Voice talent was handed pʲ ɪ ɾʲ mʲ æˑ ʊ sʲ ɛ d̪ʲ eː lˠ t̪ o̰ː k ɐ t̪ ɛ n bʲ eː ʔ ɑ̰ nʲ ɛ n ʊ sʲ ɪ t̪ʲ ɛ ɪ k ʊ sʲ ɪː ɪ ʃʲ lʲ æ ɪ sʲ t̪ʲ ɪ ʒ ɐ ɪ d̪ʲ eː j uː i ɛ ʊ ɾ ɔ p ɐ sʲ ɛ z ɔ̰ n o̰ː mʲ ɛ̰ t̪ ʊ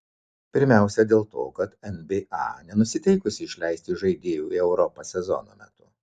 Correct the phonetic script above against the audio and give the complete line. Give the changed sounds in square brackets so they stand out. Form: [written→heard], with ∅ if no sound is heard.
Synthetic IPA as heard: pʲ ɪ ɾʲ mʲ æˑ ʊ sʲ ɛ d̪ʲ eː lˠ t̪ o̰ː k ɐ t̪ ɛ n bʲ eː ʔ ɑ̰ nʲ ɛ n ʊ sʲ ɪ t̪ʲ ɛ ɪ k ʊ sʲ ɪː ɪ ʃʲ lʲ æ ɪ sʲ t̪ʲ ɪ ʒ ɐ ɪ d̪ʲ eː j uː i ɛ ʊ ɾ ɔ p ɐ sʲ ɛ z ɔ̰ n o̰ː mʲ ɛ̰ t̪ ʊ